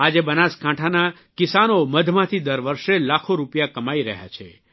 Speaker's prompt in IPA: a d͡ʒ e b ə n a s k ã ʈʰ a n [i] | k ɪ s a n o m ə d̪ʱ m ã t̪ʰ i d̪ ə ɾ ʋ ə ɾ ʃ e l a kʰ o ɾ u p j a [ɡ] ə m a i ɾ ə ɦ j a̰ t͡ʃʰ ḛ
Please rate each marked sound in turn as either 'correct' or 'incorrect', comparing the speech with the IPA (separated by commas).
incorrect, incorrect